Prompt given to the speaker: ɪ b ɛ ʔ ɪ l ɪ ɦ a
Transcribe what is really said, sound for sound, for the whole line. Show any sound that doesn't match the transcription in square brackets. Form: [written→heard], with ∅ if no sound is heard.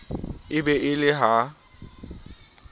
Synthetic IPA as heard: ɪ b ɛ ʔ ɪ l ɪ ɦ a